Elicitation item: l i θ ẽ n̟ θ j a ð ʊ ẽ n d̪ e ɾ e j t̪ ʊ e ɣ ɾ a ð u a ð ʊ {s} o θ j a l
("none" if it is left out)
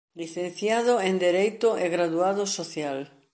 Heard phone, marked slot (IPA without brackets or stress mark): s